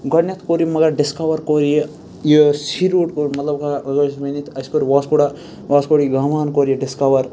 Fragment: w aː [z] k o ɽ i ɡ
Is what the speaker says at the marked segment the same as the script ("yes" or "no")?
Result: no